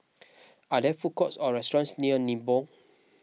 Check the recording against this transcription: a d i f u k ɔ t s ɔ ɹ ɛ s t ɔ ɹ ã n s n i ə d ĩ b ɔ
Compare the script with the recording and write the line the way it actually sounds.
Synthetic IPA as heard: a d ɛ f u k ɔ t s ɔ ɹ ɛ s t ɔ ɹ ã n s n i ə n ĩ b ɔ